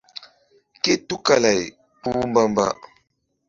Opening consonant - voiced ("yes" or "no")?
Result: no